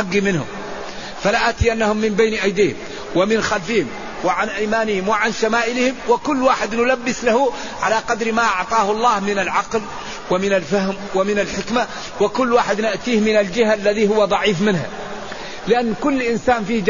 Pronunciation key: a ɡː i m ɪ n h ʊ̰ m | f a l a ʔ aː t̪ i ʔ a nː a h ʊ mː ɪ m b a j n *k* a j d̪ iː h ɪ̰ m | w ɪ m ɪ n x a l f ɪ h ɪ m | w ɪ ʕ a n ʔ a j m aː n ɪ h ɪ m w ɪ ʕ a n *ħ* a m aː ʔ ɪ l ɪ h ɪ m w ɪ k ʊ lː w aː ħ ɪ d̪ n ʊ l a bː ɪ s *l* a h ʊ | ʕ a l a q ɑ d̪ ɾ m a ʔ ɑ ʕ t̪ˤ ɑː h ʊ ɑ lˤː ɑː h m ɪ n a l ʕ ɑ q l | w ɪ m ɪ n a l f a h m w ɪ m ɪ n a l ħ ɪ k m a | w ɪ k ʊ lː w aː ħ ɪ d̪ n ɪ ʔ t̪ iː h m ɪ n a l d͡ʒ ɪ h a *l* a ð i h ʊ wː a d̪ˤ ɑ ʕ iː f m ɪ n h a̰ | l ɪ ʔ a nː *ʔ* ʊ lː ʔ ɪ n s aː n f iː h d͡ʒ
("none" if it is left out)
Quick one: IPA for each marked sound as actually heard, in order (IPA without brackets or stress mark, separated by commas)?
ʔ, ʃ, l, lː, k